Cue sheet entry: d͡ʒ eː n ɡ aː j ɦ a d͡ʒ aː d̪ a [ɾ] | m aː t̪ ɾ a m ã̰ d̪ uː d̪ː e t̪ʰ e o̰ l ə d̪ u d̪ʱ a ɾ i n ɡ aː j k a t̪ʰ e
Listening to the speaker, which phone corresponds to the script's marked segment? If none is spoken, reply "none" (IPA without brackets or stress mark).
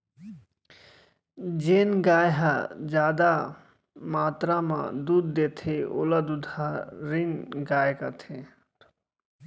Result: none